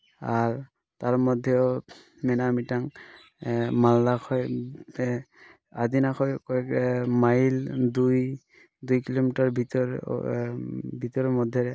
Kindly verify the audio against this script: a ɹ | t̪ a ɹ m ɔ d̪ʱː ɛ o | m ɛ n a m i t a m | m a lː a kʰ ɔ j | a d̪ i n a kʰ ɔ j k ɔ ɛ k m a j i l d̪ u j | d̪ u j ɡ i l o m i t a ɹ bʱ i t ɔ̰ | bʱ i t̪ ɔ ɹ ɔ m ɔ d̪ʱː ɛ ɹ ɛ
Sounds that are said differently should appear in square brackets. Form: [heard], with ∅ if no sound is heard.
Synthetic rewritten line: a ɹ | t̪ a ɹ m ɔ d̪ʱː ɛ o | m ɛ n a m i t a [ŋ] | m a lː a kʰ ɔ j | a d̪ i n a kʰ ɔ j k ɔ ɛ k m a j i l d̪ u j | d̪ u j [k] i l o m i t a ɹ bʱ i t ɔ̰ | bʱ i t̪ ɔ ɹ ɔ m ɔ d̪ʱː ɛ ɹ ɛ